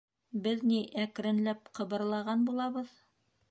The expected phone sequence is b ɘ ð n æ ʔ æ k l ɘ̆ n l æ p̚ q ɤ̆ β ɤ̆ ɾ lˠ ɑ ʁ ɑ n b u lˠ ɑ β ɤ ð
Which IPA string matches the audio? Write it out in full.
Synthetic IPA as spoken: b ɘ ð n i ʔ æ k ɾ ɘ̆ n l æ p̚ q ɤ̆ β ɤ̆ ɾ lˠ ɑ ʁ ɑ n b u lˠ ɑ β ɤ ð